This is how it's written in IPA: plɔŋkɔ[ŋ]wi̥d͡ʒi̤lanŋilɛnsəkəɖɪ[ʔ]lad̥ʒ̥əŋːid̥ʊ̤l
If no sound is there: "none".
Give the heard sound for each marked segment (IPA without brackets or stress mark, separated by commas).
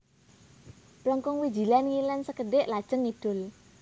ŋ, ʔ